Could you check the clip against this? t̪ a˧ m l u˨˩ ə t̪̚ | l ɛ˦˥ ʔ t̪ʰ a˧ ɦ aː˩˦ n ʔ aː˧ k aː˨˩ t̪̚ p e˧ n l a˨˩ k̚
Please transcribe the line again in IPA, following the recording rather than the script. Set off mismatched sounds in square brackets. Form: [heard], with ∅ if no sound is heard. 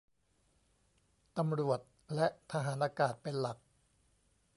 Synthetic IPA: t̪ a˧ m [ɾ] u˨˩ ə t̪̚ | l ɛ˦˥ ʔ t̪ʰ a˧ ɦ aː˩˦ n ʔ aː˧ k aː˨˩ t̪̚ p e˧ n l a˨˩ k̚

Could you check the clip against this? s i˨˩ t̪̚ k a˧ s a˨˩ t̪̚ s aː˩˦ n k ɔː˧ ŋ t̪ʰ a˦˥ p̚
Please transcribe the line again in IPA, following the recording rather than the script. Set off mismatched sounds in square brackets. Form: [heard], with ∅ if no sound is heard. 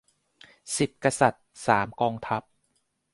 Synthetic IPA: s i˨˩ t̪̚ k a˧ s a˨˩ t̪̚ s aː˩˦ [m] k ɔː˧ ŋ t̪ʰ a˦˥ p̚

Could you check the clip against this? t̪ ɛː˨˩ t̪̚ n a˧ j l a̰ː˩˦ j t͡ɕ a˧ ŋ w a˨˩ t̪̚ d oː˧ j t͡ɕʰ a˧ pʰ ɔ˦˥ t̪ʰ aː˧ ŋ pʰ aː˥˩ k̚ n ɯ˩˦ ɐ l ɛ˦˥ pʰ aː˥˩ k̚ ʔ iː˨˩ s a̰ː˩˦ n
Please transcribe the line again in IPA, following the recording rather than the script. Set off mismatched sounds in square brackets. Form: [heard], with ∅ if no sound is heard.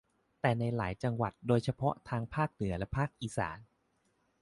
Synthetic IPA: t̪ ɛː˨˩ [∅] n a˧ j l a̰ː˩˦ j t͡ɕ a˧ ŋ w a˨˩ t̪̚ d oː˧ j t͡ɕʰ a˧ pʰ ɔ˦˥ t̪ʰ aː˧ ŋ pʰ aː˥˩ k̚ n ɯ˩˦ ɐ l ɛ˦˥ pʰ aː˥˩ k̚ ʔ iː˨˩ s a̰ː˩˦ n

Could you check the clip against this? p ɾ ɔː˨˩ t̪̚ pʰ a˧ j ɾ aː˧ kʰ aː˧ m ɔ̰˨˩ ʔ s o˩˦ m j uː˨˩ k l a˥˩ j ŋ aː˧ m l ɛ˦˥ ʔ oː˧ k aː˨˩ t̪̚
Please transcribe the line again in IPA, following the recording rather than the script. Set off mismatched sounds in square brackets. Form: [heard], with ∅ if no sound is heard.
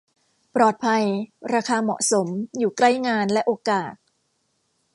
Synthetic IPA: p ɾ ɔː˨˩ t̪̚ pʰ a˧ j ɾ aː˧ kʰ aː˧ m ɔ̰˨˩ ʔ s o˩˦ m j uː˨˩ k l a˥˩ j ŋ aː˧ [n] l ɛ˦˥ ʔ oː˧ k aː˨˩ t̪̚

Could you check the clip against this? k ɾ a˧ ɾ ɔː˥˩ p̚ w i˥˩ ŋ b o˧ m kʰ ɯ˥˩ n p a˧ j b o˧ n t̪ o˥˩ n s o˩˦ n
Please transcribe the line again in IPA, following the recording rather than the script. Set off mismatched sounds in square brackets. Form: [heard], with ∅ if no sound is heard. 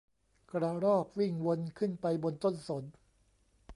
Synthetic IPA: k ɾ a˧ ɾ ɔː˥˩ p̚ w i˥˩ ŋ [w] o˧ [n] kʰ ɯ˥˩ n p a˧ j b o˧ n t̪ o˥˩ n s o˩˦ n

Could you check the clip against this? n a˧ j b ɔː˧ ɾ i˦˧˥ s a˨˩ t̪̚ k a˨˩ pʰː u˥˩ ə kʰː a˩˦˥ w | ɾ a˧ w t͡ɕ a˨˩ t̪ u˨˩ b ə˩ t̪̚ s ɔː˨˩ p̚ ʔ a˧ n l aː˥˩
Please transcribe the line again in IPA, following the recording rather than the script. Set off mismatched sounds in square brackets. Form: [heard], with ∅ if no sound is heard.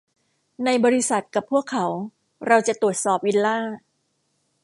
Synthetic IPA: n a˧ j b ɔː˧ ɾ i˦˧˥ s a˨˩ t̪̚ k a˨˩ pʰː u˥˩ ə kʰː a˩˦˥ w | ɾ a˧ w t͡ɕ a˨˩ t̪ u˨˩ [∅] ə˩ t̪̚ s ɔː˨˩ p̚ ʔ [i˧] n l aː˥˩

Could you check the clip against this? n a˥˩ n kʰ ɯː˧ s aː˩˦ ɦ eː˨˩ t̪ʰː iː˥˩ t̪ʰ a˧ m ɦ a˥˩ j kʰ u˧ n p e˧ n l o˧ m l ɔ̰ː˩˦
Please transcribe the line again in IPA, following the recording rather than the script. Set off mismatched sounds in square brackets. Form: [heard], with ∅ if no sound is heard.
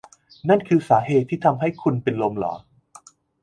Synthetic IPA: n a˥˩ n kʰ ɯː˧ s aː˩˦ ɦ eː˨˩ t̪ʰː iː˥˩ t̪ʰ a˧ m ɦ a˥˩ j kʰ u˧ n p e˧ n l o˧ m l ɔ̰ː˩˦

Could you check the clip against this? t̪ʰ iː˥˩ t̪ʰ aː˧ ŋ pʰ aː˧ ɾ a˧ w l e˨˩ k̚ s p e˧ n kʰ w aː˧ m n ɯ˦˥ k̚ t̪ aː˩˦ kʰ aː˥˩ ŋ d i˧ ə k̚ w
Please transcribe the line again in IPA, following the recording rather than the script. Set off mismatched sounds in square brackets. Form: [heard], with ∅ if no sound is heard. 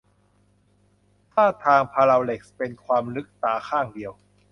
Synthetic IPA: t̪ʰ [aː˥˩] t̪ʰ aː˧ ŋ pʰ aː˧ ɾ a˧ w l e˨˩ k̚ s p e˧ n kʰ w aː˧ m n ɯ˦˥ k̚ t̪ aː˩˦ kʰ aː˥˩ ŋ d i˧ ə [∅] w

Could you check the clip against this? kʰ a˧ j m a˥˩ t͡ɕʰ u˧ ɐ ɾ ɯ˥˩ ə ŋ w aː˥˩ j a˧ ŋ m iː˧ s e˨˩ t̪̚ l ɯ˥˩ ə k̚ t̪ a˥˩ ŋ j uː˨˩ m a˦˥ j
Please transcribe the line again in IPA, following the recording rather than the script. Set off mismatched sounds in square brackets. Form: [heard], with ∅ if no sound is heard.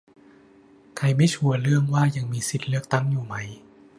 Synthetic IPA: kʰ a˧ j m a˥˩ t͡ɕʰ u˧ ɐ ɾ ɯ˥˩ ə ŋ w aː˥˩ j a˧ ŋ m iː˧ s [i˨˩] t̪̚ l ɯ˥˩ ə k̚ t̪ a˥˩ ŋ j uː˨˩ m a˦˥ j

